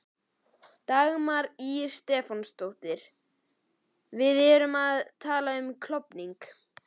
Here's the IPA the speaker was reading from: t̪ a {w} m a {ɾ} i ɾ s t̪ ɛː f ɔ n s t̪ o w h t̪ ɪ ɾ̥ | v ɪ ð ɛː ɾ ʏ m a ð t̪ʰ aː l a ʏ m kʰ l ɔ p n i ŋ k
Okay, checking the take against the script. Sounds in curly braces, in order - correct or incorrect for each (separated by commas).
incorrect, correct